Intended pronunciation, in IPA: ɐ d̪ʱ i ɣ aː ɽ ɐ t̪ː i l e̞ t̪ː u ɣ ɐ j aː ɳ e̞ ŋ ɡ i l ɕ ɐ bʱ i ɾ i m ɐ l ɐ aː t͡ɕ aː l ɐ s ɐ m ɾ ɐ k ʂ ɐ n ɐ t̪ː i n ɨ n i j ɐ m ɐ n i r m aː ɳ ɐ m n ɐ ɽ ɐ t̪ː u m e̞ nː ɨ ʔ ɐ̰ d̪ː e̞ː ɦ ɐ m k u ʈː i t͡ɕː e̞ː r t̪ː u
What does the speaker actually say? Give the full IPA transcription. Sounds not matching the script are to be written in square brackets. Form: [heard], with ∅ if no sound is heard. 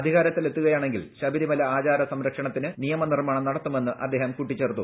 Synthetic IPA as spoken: ɐ d̪ʱ i ɣ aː [ɾ] ɐ t̪ː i l e̞ t̪ː u ɣ ɐ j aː ɳ e̞ ŋ ɡ i l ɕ ɐ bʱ i ɾ i m ɐ l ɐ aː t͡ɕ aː [ɾ] ɐ s ɐ m ɾ ɐ k ʂ ɐ [ɳ] ɐ t̪ː i n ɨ n i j ɐ m ɐ n i r m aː ɳ ɐ m n ɐ ɽ ɐ t̪ː u m e̞ nː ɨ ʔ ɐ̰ d̪ː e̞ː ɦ ɐ m k u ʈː i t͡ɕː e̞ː r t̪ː u